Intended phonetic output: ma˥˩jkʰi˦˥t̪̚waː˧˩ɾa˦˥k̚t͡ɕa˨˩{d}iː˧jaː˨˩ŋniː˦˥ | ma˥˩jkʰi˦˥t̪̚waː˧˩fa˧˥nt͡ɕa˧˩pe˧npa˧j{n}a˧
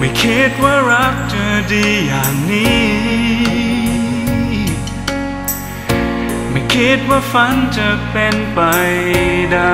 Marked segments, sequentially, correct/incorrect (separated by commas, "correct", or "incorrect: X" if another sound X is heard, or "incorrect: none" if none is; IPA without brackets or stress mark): correct, incorrect: d